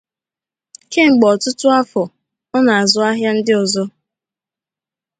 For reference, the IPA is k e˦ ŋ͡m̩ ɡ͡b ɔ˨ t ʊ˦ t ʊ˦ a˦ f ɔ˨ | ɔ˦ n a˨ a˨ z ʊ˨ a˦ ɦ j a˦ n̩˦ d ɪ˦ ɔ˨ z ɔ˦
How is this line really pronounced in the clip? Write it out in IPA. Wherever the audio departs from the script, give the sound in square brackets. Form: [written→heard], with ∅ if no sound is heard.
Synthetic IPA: k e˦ ŋ͡m̩ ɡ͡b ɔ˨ t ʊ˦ t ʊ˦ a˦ f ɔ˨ | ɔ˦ n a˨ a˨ z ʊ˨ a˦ ɦ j a˦ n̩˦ d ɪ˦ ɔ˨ z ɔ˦

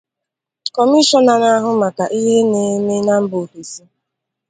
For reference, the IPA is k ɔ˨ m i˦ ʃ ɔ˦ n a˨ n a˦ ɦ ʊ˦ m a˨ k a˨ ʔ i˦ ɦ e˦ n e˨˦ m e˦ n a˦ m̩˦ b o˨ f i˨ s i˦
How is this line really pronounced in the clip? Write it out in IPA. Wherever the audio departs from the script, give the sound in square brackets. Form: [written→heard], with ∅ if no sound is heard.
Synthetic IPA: k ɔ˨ m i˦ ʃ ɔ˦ n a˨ n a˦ ɦ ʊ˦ m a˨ k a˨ ʔ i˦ ɦ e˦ n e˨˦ m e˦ n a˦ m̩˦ b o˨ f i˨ s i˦

